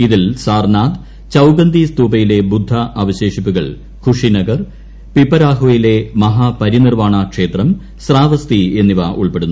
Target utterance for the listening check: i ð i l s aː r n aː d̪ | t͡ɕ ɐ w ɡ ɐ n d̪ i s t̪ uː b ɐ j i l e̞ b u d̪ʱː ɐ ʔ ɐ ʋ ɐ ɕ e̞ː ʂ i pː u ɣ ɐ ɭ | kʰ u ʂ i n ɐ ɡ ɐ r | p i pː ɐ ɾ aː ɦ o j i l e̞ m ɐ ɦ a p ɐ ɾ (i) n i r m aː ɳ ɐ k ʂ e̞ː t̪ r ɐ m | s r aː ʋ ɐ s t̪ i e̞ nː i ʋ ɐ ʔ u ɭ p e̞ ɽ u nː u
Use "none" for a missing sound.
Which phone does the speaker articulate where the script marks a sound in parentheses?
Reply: i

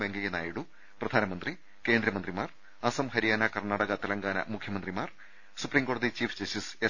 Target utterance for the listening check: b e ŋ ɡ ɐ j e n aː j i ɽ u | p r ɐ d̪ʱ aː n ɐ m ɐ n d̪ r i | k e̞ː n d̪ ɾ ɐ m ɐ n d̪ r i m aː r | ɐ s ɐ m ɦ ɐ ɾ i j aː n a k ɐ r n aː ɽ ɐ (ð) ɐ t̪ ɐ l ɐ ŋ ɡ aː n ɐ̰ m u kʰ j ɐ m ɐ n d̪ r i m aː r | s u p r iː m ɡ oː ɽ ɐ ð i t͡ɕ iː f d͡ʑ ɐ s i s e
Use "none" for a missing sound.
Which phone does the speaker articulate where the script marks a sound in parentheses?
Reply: ɣ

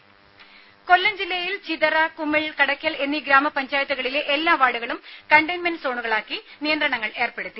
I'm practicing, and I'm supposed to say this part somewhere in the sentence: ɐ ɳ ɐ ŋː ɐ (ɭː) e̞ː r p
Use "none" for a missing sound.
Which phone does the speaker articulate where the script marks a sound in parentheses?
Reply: ɭ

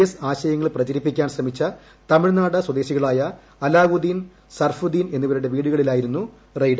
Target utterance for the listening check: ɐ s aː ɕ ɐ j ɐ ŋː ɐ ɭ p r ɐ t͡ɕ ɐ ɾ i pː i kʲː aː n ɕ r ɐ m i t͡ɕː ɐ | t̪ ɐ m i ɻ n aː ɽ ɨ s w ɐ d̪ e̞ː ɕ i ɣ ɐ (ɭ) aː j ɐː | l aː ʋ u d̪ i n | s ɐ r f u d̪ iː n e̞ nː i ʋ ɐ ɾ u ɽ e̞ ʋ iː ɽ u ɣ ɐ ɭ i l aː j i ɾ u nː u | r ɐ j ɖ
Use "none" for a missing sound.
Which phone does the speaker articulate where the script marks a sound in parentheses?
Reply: ɭ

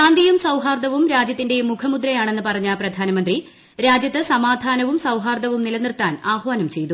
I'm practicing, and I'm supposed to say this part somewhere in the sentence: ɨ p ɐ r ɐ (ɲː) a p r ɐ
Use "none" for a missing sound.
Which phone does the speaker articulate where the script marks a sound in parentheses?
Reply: ɲː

